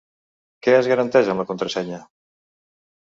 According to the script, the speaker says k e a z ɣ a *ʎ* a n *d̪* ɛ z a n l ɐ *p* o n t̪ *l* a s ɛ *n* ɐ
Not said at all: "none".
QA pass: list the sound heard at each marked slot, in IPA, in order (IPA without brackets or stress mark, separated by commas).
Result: ɾ, t̪, k, ɾ, ɲ